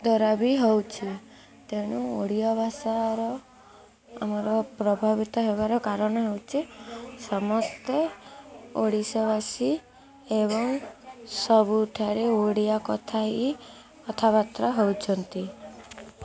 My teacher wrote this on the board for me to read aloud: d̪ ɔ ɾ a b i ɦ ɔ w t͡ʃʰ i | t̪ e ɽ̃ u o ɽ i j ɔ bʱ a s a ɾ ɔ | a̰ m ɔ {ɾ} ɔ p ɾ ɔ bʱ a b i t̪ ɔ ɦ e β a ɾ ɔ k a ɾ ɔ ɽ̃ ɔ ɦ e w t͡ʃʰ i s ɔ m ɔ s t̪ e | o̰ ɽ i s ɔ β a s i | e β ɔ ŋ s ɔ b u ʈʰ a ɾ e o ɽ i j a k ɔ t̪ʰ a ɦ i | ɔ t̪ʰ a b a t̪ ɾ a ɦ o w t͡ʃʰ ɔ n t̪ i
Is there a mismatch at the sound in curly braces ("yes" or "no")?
no